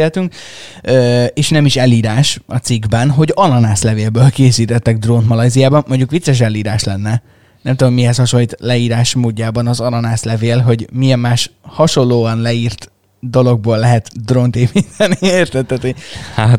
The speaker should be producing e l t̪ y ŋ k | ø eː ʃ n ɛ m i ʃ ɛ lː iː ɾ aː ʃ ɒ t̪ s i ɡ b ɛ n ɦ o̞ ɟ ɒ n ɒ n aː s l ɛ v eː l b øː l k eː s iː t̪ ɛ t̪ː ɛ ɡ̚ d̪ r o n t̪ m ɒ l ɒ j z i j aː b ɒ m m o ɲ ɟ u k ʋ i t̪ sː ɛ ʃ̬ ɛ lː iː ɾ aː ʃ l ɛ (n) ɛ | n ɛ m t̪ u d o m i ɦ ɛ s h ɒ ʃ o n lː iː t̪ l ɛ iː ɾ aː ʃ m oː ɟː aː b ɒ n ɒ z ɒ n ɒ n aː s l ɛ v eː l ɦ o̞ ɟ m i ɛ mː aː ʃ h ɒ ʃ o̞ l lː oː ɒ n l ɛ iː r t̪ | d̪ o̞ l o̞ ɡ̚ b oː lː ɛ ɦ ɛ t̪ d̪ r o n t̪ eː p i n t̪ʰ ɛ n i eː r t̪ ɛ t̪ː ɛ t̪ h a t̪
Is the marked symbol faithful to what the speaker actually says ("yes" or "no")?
no